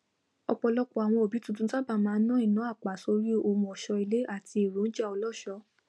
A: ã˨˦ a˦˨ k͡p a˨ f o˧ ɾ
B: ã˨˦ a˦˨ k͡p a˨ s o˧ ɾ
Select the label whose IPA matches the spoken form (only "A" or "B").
B